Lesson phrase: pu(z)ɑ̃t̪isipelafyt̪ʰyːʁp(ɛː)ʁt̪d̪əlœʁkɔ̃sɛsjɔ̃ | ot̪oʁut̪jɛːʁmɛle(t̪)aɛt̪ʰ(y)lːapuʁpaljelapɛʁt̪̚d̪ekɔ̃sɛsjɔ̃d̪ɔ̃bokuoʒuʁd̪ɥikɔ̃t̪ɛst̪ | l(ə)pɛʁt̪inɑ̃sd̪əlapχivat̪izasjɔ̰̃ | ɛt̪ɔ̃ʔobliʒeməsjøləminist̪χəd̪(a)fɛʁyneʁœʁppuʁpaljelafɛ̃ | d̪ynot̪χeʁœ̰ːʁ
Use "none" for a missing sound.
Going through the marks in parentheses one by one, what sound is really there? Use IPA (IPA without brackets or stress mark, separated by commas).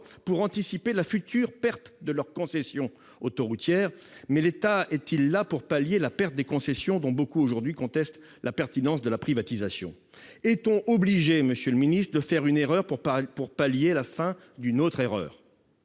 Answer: ʁ, ɛ, t̪, i, a, ə